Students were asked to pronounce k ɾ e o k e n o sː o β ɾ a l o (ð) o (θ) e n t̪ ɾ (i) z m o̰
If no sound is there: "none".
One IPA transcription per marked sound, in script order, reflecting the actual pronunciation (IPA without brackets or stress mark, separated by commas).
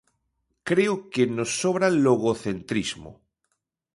ɣ, θ, i